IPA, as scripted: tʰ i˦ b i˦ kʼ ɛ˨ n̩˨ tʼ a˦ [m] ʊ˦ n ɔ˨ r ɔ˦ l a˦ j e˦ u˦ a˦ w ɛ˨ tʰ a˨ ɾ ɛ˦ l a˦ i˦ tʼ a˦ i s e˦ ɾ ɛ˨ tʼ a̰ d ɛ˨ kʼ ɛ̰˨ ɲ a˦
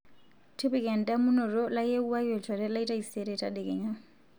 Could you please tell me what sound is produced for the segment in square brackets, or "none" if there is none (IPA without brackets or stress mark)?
m